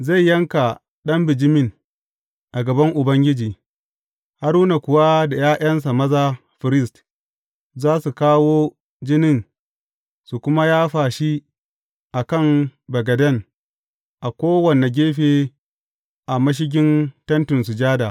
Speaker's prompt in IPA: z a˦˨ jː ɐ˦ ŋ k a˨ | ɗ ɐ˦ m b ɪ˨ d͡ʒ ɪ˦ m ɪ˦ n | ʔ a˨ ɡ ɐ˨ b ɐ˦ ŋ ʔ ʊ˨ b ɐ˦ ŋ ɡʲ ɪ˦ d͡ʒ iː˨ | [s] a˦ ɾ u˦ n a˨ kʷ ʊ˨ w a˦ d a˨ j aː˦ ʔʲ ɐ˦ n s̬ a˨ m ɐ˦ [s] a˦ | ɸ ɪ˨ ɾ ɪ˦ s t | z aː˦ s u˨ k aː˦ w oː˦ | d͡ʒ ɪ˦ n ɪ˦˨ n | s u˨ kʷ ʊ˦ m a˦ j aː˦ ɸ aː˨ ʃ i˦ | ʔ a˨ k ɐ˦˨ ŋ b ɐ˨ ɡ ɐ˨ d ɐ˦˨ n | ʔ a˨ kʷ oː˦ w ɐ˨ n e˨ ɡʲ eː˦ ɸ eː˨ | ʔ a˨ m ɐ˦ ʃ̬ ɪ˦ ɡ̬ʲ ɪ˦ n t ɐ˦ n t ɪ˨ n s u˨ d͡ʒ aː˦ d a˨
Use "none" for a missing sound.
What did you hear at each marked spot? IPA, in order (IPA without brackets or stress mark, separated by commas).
h, z